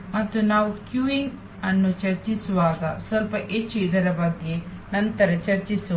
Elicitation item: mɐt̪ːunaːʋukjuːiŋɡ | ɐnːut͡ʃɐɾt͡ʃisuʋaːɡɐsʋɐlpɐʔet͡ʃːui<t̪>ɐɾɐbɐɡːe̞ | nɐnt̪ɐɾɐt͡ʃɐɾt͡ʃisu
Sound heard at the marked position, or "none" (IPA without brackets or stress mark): d̪